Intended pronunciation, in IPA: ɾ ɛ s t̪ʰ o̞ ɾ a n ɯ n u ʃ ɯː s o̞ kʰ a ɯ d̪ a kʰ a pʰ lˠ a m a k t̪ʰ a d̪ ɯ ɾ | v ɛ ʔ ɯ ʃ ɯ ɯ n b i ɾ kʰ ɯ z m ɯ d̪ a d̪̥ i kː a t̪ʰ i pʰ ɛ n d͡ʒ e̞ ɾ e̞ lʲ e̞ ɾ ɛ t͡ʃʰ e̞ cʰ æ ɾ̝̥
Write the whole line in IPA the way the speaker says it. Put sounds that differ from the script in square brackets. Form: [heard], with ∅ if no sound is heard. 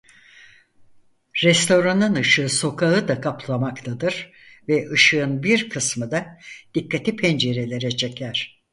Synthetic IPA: ɾ ɛ s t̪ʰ o̞ ɾ a n ɯ n [ɯ] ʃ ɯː s o̞ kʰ a ɯ d̪ a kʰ a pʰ lˠ a m a k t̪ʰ a d̪ ɯ ɾ | v ɛ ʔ ɯ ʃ ɯ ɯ n b i ɾ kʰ ɯ [s] m ɯ d̪ a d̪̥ i kː a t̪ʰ i pʰ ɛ n d͡ʒ e̞ ɾ e̞ lʲ e̞ ɾ ɛ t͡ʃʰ e̞ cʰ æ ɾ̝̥